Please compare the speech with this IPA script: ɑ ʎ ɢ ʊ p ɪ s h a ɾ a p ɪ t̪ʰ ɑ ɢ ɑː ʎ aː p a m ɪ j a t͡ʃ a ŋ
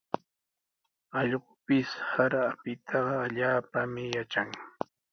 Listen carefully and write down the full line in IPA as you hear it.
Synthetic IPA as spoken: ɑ ʎ ɢ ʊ p ɪ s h a ɾ a p ɪ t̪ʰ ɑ ɢ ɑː ʎ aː p a m ɪ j a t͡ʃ a ŋ